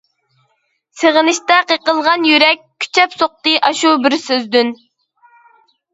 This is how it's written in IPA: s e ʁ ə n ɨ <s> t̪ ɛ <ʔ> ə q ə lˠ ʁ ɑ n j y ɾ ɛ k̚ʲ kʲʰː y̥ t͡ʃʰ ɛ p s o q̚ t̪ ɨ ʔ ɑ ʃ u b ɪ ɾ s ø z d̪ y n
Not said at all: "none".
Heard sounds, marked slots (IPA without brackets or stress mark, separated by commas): ʃ, q